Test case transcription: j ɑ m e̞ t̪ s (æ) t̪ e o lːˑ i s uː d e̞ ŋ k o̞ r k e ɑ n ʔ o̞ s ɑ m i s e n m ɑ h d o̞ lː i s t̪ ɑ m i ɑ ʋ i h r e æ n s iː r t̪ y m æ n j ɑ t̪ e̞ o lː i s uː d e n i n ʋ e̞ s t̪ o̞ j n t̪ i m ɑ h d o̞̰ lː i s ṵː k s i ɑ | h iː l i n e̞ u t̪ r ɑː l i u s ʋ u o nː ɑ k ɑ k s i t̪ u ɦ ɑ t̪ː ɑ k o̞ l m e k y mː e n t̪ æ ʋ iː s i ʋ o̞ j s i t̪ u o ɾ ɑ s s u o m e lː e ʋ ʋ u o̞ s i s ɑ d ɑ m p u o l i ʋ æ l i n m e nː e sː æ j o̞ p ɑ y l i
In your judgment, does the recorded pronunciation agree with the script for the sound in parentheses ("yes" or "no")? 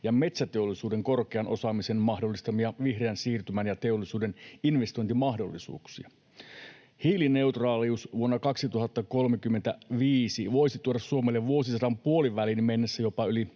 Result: yes